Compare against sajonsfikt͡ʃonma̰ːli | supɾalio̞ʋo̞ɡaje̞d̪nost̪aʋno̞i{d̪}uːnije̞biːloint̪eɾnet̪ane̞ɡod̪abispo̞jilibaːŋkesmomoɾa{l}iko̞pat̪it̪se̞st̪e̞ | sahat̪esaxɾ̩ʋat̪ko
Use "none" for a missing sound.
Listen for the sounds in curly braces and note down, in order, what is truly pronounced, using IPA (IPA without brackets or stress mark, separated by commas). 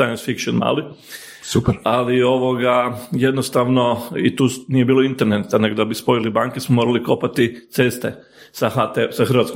t̪, l